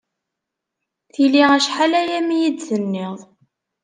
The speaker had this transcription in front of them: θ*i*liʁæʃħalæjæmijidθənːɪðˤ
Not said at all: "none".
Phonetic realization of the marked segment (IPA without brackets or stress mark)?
i